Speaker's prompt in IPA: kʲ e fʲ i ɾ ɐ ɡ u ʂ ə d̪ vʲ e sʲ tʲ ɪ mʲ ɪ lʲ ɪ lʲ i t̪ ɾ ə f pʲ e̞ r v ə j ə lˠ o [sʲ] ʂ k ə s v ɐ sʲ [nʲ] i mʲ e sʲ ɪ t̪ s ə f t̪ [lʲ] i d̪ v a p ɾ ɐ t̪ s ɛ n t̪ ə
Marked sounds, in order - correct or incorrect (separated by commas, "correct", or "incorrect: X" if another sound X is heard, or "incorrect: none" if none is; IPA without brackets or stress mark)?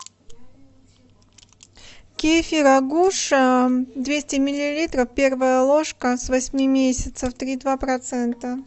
incorrect: none, incorrect: mʲ, incorrect: ɾʲ